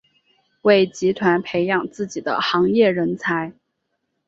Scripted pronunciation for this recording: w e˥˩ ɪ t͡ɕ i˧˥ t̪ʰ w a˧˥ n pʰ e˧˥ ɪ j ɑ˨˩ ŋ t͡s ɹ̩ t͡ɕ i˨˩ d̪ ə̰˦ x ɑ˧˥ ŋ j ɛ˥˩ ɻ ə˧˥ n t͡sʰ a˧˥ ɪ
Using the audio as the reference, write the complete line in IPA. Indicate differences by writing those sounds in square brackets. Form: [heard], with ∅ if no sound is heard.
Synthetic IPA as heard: w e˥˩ ɪ t͡ɕ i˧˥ t̪ʰ w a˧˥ n pʰ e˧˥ ɪ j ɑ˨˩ ŋ t͡s ɹ̩ t͡ɕ i˨˩ d̪ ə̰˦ x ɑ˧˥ ŋ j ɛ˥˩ ɻ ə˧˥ n t͡sʰ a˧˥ ɪ